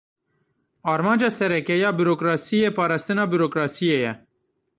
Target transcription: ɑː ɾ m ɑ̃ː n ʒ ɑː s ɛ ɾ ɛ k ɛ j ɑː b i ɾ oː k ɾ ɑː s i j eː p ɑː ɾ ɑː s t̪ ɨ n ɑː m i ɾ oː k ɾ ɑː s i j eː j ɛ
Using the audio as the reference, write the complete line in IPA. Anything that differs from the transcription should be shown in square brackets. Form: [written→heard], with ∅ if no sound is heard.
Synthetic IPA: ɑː ɾ m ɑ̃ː n [ʒ→d͡ʒ] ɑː s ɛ ɾ ɛ k ɛ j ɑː b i ɾ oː k ɾ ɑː s i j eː p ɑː ɾ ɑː s t̪ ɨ n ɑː [m→b] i ɾ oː k ɾ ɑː s i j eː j ɛ